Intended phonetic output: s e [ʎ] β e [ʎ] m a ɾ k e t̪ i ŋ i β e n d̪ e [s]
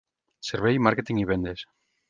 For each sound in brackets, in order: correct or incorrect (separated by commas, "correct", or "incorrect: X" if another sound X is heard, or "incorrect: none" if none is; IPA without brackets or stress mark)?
incorrect: ɾ, incorrect: j, correct